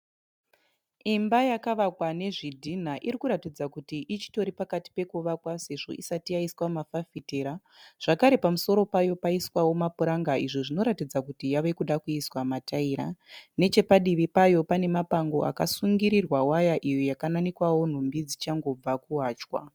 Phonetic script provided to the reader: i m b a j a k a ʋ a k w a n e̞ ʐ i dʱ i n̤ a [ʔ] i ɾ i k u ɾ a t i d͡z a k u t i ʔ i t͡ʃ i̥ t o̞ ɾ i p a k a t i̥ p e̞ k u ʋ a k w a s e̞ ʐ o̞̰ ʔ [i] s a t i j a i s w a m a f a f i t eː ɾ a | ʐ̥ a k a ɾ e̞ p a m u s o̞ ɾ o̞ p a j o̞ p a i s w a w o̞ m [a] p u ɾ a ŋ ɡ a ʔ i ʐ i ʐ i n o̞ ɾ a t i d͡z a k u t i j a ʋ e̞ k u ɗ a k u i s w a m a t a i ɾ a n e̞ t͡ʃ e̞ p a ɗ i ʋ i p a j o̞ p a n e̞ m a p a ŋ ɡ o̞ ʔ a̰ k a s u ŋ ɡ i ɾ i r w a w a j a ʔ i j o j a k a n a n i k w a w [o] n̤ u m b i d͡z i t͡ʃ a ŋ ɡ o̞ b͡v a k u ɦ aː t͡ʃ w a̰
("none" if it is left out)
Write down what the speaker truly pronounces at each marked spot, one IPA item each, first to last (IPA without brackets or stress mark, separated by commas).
ʔ, i, a, o